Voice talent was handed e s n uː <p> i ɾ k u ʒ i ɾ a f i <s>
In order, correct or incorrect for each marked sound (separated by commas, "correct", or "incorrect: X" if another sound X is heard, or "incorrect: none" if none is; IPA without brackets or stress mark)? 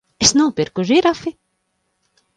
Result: correct, incorrect: none